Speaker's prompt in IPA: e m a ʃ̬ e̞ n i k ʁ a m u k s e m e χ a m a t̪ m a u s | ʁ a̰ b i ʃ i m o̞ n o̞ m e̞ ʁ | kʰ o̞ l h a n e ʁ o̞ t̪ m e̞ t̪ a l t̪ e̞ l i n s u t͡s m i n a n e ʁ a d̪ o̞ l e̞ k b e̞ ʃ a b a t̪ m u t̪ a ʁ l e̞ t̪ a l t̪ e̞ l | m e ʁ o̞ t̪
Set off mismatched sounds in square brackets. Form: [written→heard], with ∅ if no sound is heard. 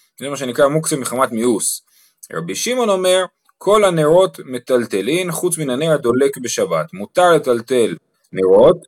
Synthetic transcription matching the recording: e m a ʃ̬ e̞ n i k ʁ a m u k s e m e χ a m a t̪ m [a→i] u s | ʁ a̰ b i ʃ i m o̞ n o̞ m e̞ ʁ | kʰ o̞ l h a n e ʁ o̞ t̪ m e̞ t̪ a l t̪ e̞ l i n [s→χ] u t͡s m i n a n e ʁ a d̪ o̞ l e̞ k b e̞ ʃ a b a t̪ m u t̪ a ʁ l e̞ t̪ a l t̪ e̞ l | [m→n] e ʁ o̞ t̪